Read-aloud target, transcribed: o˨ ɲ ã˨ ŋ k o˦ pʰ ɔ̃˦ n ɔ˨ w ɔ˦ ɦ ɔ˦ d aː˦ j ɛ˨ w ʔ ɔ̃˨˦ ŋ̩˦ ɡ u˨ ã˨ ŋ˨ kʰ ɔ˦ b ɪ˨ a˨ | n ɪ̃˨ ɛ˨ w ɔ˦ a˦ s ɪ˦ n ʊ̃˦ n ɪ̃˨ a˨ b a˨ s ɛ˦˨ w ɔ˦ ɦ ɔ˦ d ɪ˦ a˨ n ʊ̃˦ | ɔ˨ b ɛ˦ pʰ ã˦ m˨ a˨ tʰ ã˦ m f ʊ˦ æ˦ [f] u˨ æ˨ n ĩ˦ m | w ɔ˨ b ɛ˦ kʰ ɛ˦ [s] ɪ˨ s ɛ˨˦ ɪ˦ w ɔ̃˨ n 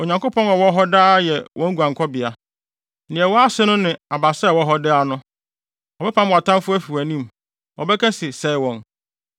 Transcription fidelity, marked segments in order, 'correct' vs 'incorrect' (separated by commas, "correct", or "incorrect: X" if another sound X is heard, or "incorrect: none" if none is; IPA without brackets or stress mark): correct, correct